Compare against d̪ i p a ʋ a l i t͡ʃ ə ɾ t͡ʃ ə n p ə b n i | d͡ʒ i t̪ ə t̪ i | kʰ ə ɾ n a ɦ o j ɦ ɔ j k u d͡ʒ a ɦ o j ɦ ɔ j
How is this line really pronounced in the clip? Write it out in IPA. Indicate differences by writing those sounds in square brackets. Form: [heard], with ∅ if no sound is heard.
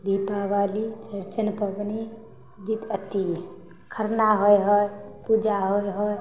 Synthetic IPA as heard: d̪ i p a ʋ a l i t͡ʃ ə ɾ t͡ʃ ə n p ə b n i | d͡ʒ i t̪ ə t̪ i | kʰ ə ɾ n a ɦ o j ɦ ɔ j [p] u d͡ʒ a ɦ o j ɦ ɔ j